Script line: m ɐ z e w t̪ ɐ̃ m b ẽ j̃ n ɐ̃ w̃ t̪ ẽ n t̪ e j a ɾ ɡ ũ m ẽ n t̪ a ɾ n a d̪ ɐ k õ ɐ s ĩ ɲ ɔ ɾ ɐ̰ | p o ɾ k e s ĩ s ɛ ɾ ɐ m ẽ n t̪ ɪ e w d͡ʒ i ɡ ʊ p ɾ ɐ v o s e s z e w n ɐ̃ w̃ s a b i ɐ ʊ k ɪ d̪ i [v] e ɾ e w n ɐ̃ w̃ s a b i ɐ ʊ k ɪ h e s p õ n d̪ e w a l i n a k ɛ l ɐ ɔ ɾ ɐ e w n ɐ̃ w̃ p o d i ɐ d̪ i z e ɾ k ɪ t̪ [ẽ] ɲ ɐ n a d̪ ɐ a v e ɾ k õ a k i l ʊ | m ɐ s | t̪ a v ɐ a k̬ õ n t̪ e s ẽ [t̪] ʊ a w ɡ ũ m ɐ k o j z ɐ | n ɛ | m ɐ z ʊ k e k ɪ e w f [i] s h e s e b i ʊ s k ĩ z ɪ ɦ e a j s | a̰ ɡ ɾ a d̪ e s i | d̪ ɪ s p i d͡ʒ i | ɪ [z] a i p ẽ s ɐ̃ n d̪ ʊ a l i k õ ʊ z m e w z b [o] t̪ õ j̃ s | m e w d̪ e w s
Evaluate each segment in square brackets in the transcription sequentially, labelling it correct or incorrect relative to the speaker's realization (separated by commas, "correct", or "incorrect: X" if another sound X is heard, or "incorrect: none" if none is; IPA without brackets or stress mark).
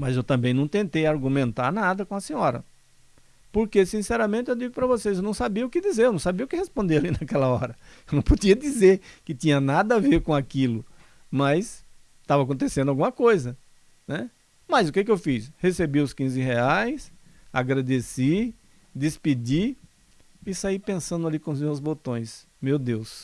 incorrect: z, incorrect: ĩ, incorrect: d̪, correct, incorrect: s, correct